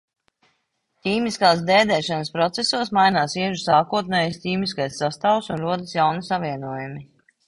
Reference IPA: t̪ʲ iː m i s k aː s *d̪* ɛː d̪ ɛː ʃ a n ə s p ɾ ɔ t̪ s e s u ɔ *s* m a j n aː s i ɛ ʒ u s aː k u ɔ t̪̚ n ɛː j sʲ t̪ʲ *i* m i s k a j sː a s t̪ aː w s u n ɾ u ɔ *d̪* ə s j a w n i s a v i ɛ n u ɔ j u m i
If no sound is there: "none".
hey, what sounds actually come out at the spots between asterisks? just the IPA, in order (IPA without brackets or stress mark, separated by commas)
d̪, s, iː, d̪